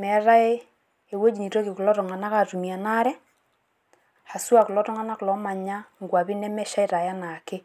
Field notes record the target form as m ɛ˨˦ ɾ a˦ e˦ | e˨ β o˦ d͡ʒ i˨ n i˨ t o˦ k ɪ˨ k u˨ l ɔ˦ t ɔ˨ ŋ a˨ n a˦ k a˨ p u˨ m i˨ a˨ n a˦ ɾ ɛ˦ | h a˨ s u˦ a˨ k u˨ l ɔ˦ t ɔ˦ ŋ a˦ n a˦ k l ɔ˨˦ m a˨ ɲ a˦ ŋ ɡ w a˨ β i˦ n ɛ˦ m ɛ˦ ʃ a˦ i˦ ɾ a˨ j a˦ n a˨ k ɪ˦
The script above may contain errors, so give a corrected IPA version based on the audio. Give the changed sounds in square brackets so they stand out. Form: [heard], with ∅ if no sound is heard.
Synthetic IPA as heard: m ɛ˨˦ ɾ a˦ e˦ | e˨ [w] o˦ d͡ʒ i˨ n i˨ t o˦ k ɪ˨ k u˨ l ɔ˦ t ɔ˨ ŋ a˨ n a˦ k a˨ [t] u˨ m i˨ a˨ n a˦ ɾ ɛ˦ | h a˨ s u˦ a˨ k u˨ l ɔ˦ t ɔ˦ ŋ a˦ n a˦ k l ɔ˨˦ m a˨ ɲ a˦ ŋ ɡ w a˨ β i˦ n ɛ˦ m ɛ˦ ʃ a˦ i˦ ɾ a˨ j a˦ n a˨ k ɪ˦